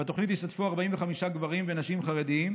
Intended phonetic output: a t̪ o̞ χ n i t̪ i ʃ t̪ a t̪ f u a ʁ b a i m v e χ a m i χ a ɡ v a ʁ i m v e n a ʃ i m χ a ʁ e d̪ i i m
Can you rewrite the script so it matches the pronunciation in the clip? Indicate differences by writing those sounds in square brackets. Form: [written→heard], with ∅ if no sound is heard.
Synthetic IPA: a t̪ o̞ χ n i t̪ i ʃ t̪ a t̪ f u a ʁ b a i m v e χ a m i [χ→ʃ] a ɡ v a ʁ i m v e n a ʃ i m χ a ʁ e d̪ i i m